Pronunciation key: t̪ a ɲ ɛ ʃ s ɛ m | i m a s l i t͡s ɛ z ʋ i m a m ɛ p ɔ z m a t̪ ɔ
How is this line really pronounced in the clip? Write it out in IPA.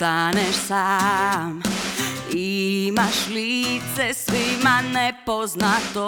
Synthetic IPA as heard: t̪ a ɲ ɛ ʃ s a m | i m a ʃ l i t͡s ɛ s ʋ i m a n ɛ p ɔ z n a t̪ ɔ